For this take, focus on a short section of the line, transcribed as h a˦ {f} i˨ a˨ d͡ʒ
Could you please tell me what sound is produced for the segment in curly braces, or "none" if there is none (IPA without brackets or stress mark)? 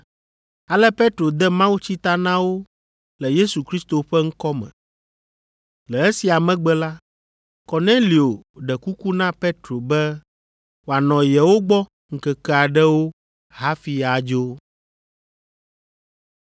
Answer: f